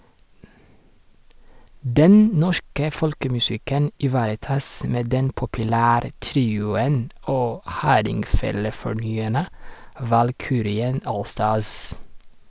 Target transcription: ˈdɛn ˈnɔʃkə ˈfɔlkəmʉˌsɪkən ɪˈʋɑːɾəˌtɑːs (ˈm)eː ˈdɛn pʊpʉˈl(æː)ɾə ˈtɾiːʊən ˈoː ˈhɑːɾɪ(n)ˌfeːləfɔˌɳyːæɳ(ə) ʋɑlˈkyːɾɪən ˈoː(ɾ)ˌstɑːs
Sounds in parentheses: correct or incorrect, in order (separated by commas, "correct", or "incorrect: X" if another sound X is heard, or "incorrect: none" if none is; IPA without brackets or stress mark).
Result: correct, correct, incorrect: ŋ, correct, incorrect: l